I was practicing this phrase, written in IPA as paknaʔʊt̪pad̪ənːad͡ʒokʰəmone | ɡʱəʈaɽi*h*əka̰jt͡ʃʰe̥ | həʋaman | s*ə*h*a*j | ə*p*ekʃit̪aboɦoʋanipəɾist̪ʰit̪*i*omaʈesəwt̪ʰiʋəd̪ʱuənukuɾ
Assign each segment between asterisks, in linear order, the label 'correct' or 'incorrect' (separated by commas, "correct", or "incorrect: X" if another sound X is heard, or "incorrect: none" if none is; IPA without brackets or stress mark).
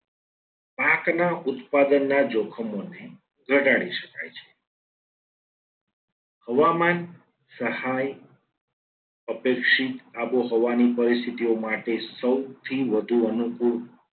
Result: incorrect: ʃ, correct, correct, correct, correct